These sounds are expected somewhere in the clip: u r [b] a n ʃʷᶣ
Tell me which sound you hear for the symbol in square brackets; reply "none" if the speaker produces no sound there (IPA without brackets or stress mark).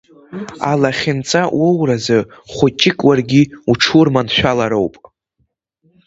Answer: m